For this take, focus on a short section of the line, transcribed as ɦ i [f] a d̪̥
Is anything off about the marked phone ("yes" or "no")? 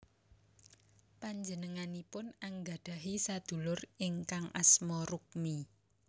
yes